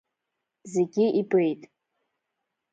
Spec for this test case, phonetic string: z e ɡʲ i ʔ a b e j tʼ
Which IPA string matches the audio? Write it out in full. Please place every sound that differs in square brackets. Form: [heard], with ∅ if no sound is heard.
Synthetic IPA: z e ɡʲ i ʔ [i] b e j tʼ